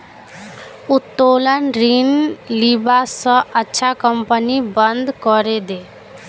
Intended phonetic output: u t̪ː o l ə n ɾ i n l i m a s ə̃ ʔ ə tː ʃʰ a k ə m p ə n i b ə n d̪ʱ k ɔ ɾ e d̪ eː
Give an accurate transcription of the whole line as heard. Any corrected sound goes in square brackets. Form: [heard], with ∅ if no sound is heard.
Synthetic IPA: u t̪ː o l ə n ɾ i n l i [b] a s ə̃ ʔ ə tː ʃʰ a k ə m p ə n i b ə n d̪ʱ k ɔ ɾ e d̪ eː